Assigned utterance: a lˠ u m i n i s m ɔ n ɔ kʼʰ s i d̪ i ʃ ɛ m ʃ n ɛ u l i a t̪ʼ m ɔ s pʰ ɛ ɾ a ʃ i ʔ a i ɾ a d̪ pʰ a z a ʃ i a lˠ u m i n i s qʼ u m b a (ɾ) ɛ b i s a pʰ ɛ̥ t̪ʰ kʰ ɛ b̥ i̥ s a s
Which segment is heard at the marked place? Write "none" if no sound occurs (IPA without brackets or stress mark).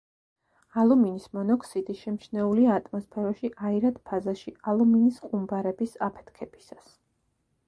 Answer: ɾ